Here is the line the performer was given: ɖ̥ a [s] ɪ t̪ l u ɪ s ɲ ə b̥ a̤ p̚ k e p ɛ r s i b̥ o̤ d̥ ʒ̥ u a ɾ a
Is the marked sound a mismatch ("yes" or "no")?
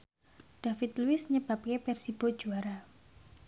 yes